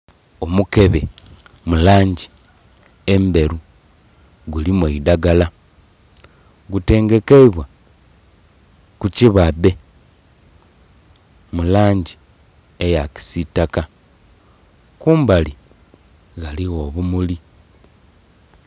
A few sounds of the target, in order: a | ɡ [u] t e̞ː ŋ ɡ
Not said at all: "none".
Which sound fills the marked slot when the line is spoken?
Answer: u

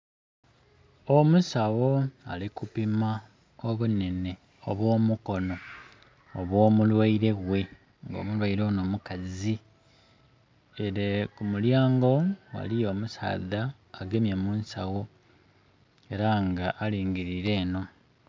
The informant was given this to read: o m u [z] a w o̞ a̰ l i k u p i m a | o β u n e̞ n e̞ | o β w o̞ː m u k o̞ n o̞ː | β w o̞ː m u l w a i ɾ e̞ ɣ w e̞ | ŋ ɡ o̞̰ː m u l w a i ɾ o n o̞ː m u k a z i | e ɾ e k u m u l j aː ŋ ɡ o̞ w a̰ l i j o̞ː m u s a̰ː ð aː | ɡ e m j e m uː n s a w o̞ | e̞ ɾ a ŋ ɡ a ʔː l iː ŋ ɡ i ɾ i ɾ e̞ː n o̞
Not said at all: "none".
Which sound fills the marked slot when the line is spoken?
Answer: s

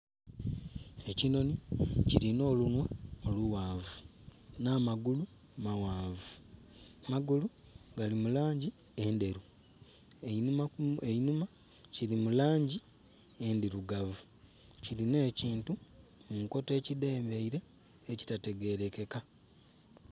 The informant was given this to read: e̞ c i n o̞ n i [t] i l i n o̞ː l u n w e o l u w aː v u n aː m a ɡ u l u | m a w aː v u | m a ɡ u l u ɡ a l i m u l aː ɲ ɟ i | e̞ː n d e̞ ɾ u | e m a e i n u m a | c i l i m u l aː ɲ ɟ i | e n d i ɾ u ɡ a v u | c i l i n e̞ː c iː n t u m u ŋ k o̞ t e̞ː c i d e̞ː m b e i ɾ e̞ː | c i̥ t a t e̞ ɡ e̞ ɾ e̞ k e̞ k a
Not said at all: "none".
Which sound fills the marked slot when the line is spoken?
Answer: c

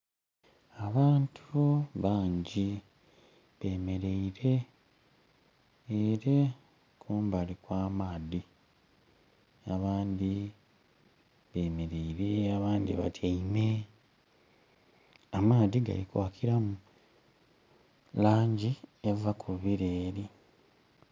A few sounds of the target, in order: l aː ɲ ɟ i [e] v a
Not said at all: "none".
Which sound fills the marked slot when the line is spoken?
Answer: e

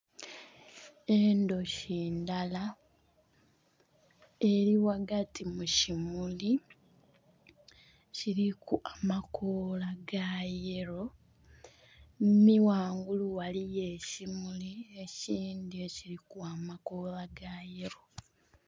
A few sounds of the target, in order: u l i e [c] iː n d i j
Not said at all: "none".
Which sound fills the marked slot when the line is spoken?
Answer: c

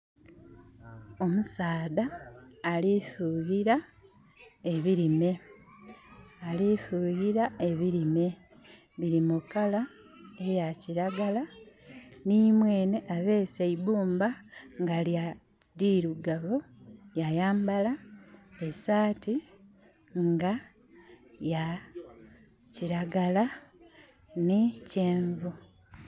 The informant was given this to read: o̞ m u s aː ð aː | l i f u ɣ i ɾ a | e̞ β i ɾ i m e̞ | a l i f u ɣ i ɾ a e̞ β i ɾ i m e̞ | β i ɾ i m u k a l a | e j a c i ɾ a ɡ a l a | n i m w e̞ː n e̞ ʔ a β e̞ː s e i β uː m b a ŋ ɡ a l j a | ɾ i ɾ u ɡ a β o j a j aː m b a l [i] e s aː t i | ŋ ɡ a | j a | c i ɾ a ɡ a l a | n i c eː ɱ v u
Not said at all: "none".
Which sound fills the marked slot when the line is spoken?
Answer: a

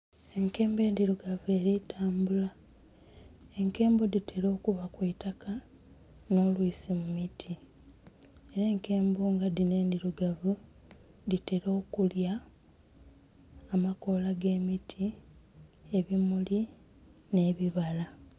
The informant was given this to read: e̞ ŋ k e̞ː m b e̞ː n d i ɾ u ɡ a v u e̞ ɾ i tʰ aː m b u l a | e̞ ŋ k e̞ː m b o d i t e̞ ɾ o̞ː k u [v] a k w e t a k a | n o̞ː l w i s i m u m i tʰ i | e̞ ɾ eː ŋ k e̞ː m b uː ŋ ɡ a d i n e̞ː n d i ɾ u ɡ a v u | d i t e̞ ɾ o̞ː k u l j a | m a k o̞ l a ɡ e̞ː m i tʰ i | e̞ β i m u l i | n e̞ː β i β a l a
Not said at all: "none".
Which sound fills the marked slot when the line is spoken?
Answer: β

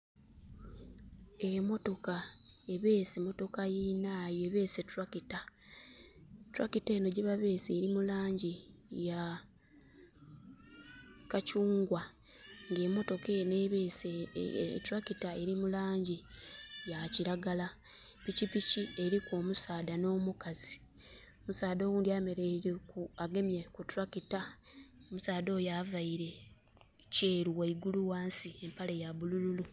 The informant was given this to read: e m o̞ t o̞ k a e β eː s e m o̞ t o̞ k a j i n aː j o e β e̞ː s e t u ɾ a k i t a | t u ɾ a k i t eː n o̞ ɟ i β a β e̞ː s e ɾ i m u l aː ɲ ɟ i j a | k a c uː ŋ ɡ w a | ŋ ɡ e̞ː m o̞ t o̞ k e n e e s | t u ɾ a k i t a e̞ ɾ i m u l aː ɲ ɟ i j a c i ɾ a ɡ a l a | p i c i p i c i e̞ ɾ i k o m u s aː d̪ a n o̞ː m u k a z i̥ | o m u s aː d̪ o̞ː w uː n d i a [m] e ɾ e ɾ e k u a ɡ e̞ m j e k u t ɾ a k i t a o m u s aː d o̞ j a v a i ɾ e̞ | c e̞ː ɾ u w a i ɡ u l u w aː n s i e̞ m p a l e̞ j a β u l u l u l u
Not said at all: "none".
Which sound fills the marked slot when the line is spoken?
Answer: m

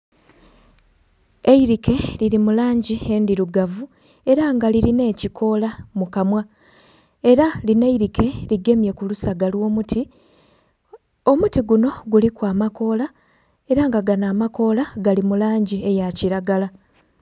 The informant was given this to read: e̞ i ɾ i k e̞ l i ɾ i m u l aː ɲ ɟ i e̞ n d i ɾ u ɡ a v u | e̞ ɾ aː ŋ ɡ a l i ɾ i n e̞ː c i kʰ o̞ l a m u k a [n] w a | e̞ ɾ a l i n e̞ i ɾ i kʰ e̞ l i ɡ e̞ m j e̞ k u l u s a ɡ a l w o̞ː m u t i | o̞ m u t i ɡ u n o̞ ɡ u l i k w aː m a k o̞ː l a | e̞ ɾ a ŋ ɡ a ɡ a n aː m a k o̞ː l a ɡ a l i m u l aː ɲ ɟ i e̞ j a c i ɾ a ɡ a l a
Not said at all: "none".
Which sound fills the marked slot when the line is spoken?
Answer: m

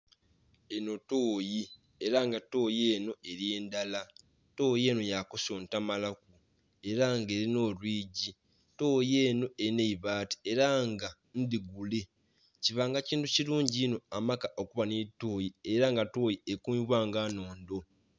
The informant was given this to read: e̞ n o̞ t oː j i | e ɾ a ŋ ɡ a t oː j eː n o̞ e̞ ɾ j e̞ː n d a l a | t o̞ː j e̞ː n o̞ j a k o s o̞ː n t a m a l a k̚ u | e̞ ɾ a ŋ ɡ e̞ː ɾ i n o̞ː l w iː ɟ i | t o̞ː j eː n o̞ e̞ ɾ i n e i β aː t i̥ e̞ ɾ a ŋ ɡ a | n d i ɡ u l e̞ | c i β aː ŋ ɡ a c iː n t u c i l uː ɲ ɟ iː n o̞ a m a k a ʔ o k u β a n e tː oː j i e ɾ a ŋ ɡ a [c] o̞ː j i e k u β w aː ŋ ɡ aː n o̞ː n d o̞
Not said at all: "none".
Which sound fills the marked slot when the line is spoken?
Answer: t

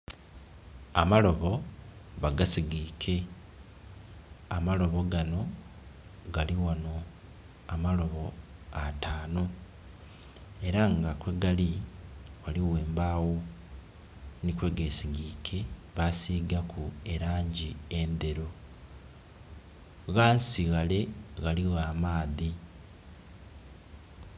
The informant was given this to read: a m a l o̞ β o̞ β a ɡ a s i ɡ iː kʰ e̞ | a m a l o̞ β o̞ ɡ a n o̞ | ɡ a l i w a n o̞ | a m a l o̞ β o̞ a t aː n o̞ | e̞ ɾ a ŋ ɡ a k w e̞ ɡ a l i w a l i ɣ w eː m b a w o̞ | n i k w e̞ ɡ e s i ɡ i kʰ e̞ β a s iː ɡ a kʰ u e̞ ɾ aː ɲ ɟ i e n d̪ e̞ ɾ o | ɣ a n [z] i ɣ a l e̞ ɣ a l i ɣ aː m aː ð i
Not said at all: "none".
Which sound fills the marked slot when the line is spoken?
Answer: s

